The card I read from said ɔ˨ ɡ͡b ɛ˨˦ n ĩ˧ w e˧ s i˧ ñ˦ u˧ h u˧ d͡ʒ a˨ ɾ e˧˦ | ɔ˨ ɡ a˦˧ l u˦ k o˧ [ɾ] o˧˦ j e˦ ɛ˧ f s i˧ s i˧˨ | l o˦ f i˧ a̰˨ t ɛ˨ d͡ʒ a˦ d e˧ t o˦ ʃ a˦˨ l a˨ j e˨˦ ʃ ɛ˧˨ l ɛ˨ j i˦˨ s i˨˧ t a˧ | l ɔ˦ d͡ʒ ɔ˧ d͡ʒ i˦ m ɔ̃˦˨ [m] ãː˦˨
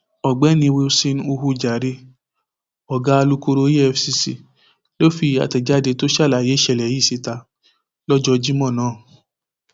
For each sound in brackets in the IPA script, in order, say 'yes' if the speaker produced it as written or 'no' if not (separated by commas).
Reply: yes, no